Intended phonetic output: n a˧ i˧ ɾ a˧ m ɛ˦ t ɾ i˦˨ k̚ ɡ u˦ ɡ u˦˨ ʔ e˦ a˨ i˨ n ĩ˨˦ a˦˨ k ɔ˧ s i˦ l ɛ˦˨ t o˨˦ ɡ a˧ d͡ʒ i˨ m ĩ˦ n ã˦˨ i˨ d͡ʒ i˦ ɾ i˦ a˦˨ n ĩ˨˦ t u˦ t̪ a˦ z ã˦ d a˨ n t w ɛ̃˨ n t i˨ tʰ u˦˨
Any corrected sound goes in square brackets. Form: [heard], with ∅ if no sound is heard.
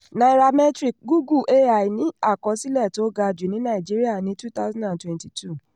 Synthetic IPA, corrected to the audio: n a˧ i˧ ɾ a˧ m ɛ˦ t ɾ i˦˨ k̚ ɡ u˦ ɡ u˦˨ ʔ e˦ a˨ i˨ n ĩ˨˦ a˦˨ k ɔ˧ s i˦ l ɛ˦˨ t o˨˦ ɡ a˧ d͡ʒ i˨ [n] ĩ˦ n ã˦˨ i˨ d͡ʒ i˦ ɾ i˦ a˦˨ n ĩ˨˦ t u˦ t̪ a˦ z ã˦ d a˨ n t w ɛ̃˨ n t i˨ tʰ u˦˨